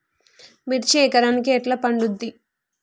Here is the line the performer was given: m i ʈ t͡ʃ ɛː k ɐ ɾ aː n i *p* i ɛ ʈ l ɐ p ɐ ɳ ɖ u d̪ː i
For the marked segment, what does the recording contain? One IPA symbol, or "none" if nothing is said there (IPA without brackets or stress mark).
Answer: k